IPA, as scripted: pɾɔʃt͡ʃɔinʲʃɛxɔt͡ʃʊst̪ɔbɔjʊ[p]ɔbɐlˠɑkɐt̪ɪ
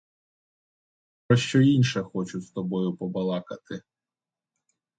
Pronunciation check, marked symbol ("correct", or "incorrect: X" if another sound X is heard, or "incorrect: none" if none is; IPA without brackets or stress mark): correct